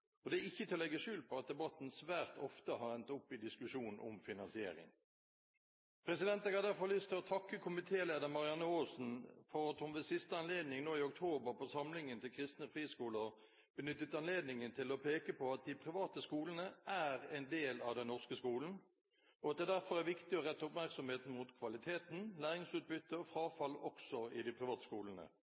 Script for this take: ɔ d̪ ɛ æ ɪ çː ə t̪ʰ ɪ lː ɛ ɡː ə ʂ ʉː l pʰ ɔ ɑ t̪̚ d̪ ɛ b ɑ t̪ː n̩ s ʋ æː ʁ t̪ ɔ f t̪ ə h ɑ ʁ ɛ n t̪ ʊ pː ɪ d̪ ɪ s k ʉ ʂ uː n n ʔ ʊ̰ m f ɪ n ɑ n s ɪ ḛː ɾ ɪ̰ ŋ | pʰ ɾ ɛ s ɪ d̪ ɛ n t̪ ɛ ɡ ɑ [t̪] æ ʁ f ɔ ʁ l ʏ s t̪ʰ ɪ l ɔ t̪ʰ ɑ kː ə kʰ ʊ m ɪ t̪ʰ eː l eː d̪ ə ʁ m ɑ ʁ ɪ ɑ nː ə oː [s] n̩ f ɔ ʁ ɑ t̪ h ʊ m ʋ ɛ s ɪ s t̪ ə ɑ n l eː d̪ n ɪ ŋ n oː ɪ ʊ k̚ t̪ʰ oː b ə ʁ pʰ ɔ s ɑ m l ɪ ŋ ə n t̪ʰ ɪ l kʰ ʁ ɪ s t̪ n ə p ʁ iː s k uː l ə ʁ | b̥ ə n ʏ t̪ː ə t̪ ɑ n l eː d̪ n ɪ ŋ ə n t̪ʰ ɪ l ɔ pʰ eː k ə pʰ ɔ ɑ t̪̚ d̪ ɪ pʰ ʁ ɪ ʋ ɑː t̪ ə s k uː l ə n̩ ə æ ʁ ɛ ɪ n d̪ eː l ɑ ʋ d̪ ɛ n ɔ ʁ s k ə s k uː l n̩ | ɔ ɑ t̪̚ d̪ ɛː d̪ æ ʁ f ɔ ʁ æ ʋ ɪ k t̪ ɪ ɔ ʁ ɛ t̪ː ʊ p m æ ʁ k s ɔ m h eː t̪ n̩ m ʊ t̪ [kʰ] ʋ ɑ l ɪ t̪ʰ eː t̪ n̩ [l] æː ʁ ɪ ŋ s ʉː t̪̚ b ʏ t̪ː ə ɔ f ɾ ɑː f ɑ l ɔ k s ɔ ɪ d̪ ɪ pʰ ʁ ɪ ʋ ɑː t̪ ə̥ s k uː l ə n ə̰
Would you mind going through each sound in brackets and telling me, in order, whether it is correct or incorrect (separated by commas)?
incorrect, correct, correct, correct